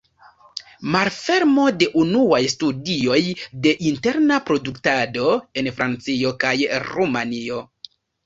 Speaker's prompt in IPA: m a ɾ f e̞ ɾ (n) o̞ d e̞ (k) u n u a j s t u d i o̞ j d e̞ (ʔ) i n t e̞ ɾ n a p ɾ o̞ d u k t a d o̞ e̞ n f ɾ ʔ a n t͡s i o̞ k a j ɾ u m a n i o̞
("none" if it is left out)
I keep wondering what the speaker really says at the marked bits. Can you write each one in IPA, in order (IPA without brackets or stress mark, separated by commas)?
m, ʔ, ʔ